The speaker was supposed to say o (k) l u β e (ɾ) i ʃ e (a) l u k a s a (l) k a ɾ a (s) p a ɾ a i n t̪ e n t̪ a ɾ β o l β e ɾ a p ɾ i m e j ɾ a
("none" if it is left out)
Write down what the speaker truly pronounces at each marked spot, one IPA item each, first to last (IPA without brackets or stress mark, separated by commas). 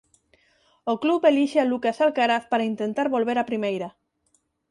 k, l, a, l, θ